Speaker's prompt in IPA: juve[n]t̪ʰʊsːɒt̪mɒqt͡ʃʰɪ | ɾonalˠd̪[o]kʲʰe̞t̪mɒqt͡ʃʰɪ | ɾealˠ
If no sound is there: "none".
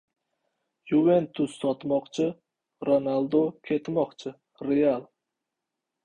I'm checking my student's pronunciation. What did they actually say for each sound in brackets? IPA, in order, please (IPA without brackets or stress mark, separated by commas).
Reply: n, o